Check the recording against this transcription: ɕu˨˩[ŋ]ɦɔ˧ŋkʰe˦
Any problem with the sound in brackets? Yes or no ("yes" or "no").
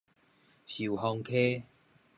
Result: yes